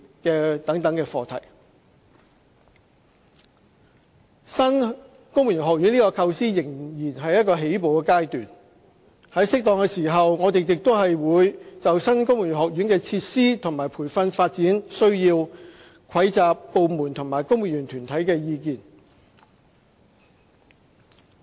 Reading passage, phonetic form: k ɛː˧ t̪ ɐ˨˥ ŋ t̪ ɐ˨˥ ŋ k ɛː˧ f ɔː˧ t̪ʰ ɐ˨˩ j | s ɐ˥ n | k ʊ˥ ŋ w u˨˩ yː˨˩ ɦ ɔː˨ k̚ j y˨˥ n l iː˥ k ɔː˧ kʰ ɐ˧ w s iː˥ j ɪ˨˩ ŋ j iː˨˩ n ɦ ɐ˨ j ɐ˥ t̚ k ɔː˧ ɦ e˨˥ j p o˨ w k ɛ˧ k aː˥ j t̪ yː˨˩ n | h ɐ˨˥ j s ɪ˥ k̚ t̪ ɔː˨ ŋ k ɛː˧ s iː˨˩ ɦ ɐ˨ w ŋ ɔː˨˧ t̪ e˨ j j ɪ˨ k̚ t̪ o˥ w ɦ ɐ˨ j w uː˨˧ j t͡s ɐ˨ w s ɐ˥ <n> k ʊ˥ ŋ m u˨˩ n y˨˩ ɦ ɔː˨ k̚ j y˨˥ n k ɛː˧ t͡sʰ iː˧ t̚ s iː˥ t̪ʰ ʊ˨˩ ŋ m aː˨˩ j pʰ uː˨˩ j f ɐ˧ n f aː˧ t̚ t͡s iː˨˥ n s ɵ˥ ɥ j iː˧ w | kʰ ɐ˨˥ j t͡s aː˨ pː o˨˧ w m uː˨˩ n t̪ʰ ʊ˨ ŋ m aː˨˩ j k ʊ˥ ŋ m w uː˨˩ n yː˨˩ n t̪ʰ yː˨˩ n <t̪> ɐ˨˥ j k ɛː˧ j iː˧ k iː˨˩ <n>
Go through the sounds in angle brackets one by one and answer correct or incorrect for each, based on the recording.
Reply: correct, incorrect, correct

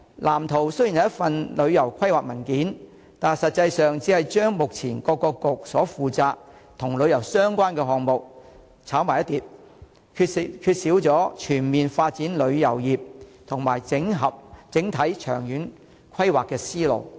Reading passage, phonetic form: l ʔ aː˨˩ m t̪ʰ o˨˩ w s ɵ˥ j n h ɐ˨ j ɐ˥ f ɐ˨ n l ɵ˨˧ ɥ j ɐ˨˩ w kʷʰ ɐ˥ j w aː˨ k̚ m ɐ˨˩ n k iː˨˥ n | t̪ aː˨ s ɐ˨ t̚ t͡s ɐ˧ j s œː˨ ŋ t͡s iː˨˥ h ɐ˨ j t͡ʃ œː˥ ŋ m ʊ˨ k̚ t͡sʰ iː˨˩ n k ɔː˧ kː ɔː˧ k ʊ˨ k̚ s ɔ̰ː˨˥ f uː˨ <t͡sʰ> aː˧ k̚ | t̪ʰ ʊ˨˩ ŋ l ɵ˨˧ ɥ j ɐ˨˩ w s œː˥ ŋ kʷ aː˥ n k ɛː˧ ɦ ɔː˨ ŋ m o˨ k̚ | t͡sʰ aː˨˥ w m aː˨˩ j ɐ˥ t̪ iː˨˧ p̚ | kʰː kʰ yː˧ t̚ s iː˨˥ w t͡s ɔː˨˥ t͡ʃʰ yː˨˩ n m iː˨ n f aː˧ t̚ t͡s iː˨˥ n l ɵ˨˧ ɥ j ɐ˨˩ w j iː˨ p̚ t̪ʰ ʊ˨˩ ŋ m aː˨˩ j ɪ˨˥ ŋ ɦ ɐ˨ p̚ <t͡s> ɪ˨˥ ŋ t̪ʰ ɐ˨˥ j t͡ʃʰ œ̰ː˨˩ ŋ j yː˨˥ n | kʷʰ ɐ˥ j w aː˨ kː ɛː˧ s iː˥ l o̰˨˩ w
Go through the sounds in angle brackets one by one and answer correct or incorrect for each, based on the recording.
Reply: incorrect, correct

